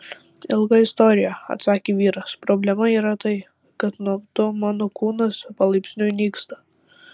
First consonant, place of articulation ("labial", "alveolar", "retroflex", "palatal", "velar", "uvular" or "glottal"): alveolar